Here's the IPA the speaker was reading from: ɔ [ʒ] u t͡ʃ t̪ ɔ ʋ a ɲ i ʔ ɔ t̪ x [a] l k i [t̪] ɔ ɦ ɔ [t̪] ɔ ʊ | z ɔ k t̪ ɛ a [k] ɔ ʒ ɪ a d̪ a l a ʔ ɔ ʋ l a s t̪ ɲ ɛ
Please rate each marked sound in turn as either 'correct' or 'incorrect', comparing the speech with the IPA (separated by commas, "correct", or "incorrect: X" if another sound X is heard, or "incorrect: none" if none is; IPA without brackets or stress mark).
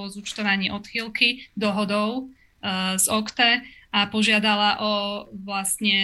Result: incorrect: z, incorrect: i, incorrect: d̪, incorrect: d̪, incorrect: p